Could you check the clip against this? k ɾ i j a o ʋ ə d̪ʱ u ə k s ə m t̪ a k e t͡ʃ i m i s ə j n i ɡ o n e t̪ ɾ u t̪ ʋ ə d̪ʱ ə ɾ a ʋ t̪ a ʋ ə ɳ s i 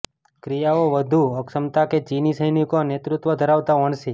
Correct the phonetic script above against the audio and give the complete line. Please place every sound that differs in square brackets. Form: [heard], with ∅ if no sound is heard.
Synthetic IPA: k ɾ i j a o ʋ ə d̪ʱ u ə k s ə m t̪ a k e t͡ʃ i [n] i s ə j n i [k] o n e t̪ ɾ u t̪ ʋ ə d̪ʱ ə ɾ a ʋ t̪ a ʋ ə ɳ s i